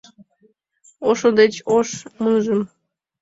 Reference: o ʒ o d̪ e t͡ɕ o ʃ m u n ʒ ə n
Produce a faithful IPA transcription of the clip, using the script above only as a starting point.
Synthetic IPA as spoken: o ʃ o d̪ e t͡ɕ o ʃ m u n ʒ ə m

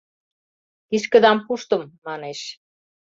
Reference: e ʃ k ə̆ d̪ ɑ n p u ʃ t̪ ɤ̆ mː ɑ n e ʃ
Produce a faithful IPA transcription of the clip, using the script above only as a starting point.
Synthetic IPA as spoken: i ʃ k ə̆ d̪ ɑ m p u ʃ t̪ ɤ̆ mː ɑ n e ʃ

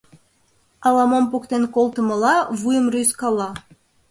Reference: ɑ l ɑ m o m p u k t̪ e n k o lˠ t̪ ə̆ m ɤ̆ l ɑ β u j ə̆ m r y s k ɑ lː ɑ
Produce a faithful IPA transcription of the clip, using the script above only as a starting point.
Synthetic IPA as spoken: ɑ l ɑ m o m p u k t̪ e n k o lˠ t̪ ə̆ m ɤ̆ l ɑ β u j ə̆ m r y s k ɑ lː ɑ

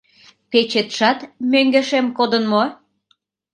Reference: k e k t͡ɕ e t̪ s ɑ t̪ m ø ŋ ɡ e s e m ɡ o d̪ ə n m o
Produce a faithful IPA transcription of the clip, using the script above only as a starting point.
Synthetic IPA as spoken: p e t͡ɕ e t̪ ʃ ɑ t̪ m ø ŋ ɡ e ʃ e m k o d̪ ə n m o

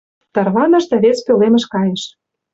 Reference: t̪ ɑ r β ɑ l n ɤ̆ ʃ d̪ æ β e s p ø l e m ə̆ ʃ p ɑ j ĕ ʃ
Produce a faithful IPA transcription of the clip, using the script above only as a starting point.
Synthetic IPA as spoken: t̪ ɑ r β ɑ n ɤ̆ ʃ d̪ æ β e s p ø l e m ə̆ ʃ k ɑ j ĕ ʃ

